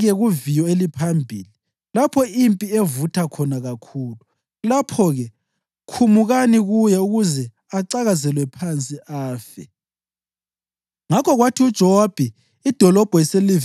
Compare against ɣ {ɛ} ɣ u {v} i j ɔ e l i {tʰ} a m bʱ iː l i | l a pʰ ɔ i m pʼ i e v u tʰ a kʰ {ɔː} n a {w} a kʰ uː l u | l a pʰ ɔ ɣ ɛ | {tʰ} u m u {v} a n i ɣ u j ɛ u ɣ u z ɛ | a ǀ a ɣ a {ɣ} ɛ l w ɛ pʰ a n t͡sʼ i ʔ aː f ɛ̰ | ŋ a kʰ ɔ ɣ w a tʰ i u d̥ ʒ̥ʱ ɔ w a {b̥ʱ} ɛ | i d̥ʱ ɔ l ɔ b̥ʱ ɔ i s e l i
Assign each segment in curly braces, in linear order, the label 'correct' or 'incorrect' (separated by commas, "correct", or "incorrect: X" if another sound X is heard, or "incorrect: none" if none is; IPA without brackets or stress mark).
correct, correct, incorrect: pʰ, incorrect: ɔ, incorrect: ɣ, incorrect: kʰ, incorrect: ɣ, incorrect: z, correct